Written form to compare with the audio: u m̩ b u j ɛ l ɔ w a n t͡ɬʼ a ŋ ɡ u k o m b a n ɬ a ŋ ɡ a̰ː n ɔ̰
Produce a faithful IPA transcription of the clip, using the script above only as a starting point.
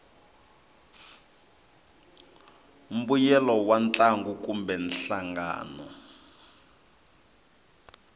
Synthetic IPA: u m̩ b u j ɛ l ɔ w a n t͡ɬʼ a ŋ ɡ u k u m b ɛ n ɬ a ŋ ɡ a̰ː n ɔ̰